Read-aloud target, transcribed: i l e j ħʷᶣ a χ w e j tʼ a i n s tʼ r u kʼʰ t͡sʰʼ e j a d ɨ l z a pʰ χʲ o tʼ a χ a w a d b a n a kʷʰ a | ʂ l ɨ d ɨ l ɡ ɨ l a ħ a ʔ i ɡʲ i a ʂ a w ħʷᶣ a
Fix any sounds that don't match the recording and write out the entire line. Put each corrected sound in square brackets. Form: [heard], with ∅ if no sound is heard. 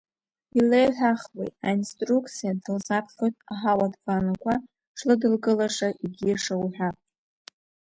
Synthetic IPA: i l e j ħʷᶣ a χ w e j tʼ a i n s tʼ r u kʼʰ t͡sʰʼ [i] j a d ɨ l z a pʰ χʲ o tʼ a [ħ] a w a d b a n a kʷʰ a | ʂ l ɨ d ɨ l ɡ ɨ l a [ʂ] a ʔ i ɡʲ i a ʂ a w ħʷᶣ a